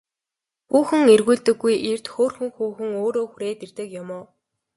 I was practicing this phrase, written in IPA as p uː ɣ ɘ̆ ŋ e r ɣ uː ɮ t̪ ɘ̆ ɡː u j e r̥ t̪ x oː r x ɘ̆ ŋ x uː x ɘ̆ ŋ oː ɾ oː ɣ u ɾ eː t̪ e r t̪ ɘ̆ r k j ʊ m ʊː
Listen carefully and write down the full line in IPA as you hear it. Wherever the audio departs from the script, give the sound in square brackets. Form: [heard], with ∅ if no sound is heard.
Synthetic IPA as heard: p uː [x] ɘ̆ ŋ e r ɣ uː ɮ t̪ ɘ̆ ɡː u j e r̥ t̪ x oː r x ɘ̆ ŋ x uː x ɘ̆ ŋ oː ɾ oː [x] u ɾ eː t̪ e r t̪ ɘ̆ [∅] k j ʊ m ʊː